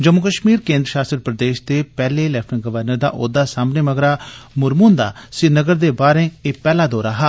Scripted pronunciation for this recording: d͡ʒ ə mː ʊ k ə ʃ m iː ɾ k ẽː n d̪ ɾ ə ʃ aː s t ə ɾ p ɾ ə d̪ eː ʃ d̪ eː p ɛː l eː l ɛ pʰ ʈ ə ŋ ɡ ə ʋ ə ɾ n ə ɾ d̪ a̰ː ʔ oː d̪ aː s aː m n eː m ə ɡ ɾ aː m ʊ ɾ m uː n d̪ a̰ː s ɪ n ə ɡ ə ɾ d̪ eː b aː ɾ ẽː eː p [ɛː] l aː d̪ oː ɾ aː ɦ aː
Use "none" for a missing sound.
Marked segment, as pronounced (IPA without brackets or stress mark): ɛː